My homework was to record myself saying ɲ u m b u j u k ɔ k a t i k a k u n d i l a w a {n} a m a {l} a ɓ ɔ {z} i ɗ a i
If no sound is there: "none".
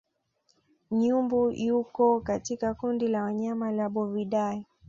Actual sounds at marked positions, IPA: ɲ, l, v

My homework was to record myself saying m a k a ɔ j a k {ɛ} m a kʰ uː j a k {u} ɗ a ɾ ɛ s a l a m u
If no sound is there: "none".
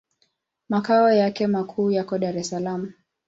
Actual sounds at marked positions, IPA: ɛ, ɔ

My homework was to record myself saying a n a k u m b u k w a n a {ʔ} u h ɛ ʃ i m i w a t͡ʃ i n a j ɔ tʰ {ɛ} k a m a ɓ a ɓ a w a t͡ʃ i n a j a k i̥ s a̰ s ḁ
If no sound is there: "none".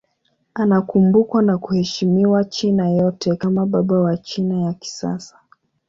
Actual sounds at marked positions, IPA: k, ɛ

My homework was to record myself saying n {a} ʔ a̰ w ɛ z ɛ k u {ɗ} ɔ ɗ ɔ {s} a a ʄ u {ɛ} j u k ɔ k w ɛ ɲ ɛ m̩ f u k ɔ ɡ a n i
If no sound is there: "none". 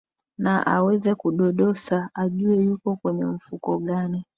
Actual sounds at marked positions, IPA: a, ɗ, s, ɛ

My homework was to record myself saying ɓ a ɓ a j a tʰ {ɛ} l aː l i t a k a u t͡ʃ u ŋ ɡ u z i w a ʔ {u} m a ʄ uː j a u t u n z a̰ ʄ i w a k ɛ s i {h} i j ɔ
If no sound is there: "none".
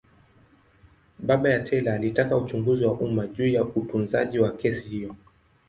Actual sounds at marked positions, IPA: ɛ, u, h

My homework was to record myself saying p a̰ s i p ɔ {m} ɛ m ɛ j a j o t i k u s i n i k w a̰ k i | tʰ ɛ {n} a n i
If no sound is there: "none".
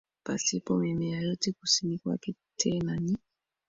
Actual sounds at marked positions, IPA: m, n

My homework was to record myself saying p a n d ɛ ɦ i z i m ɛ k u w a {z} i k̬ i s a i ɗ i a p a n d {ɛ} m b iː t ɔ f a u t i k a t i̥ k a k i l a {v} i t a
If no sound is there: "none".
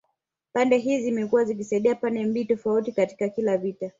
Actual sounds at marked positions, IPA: z, ɛ, v

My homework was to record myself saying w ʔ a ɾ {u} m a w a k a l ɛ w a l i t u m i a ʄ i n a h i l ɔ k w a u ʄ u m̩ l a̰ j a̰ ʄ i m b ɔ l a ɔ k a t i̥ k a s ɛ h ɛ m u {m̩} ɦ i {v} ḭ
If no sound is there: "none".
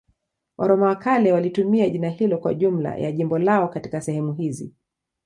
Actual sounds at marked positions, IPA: ɔ, none, z

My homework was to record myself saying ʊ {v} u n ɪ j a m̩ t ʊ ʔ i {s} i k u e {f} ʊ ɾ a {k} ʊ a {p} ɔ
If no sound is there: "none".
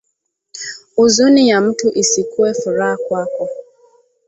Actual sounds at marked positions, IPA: z, s, f, k, k

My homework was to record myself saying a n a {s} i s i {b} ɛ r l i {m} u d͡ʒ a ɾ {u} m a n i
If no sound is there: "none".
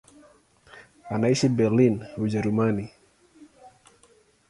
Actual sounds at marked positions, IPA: none, b, n, u

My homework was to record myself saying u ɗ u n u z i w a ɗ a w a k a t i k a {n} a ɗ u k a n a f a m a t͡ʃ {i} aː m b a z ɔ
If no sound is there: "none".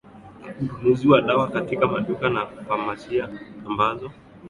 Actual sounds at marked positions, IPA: m, i

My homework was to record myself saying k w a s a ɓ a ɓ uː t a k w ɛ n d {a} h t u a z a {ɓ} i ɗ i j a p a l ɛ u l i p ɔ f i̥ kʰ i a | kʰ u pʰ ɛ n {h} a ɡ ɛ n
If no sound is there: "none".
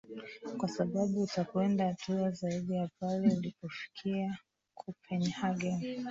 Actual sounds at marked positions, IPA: a, none, h

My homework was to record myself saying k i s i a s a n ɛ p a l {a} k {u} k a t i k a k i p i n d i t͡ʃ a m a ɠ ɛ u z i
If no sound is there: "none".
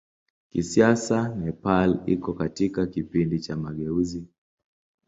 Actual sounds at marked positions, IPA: i, ɔ

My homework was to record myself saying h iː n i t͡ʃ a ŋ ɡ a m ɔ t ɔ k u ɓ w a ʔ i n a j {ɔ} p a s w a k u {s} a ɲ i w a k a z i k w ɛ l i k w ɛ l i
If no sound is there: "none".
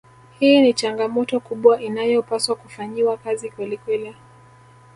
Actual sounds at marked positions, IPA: ɔ, f

